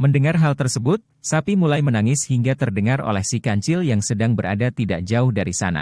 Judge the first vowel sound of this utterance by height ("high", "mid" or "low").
mid